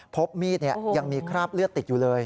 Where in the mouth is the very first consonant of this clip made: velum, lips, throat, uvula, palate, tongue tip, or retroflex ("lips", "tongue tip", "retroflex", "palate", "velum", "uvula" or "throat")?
lips